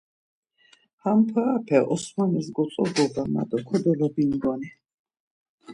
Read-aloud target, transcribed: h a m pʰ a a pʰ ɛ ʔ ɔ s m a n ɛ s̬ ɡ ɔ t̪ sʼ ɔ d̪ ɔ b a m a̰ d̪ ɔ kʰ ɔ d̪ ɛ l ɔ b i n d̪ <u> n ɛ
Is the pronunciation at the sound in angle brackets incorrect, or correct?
incorrect